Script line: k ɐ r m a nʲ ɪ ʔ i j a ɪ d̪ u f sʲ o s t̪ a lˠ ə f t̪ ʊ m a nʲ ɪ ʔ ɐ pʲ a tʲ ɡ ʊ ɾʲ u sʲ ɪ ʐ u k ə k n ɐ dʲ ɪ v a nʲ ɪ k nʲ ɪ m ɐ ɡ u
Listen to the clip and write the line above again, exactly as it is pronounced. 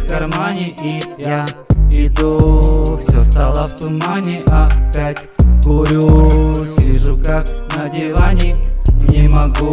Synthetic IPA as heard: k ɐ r m a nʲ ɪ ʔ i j a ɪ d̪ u f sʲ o s t̪ a lˠ ə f t̪ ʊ m a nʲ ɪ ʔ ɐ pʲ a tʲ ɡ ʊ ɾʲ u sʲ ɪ ʐ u k a k n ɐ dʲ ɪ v a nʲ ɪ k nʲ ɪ m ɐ ɡ u